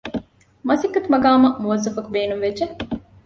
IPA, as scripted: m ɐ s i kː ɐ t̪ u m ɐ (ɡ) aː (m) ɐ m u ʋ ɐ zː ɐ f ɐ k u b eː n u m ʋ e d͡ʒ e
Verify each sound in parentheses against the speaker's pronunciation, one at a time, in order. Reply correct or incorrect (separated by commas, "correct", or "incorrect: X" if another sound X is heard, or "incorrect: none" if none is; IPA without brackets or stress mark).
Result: correct, correct